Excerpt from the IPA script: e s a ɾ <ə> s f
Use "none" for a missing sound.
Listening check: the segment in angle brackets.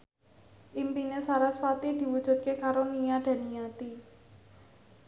a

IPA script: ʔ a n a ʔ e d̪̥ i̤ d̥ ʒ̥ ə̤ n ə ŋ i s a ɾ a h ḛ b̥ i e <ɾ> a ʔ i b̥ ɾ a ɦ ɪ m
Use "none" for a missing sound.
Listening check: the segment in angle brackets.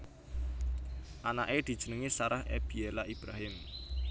l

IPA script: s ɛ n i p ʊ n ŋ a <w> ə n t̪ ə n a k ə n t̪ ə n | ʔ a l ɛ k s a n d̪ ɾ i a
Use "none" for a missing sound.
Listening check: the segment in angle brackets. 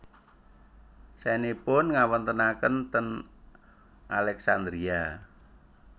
w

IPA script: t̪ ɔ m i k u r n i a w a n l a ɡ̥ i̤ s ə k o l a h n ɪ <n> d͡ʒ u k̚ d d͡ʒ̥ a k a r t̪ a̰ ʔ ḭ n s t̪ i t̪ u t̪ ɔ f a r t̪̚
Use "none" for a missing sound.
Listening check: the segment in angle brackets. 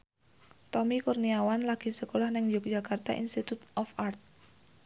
ŋ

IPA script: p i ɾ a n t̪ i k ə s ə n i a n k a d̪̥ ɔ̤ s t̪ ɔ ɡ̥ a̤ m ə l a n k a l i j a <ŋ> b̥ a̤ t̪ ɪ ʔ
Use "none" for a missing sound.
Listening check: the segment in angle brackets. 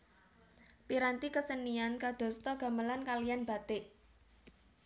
n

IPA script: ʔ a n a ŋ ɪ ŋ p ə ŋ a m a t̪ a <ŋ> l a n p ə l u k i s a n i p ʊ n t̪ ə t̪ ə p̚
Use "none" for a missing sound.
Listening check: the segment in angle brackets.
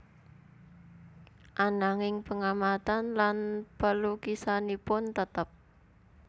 n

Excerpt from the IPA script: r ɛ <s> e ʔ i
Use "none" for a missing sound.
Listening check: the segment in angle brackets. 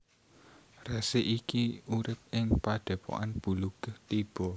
s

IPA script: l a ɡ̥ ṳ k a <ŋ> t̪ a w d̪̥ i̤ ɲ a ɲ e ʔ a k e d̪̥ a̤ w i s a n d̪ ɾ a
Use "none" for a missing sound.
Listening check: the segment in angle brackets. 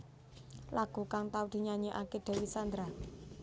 ŋ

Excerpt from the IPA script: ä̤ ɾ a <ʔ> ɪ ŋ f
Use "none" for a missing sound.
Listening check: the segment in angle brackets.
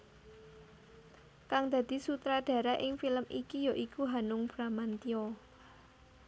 ʔ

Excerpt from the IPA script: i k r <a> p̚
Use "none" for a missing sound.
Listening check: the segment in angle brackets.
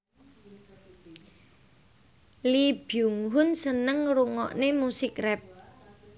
ɛ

